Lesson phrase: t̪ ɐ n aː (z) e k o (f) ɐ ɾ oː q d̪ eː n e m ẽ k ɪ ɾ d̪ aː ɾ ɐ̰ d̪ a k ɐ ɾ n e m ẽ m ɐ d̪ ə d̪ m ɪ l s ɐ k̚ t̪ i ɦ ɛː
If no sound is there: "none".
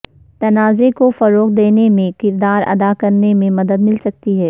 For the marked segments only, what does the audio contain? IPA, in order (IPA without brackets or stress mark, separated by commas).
z, f